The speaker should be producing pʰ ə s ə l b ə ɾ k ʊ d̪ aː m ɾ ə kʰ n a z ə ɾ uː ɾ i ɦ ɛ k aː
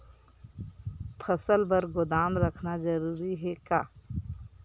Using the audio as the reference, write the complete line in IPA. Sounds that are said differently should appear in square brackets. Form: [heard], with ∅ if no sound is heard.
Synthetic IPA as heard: pʰ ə s ə l b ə ɾ [ɡ] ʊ d̪ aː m ɾ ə kʰ n a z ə ɾ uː ɾ i ɦ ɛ k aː